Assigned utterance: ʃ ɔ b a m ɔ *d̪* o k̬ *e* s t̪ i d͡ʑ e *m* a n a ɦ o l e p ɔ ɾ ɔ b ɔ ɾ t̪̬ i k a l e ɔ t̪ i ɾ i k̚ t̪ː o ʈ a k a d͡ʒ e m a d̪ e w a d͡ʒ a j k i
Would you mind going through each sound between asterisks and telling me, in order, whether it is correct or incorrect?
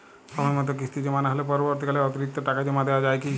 incorrect, incorrect, correct

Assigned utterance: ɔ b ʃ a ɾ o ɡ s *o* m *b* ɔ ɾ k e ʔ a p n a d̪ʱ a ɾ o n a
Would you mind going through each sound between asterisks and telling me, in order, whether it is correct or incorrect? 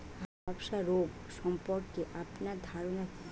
incorrect, incorrect

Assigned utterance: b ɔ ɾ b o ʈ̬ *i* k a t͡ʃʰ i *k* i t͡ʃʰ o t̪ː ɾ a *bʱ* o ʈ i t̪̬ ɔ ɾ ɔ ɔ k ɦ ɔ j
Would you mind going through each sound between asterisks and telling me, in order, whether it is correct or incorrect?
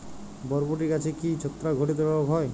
correct, correct, incorrect

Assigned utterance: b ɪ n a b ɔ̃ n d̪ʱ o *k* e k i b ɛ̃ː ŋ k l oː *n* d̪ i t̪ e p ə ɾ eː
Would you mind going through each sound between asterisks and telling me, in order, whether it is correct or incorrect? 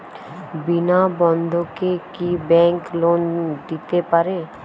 correct, correct

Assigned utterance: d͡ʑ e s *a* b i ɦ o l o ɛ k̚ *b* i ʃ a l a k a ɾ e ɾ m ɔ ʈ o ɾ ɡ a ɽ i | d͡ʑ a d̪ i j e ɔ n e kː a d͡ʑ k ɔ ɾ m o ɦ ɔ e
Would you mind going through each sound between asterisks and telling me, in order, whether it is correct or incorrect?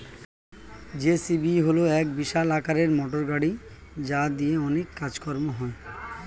incorrect, correct

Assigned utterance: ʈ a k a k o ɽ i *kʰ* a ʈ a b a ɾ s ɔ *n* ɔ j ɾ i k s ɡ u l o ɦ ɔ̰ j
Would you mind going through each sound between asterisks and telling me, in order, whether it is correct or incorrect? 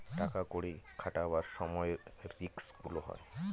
correct, incorrect

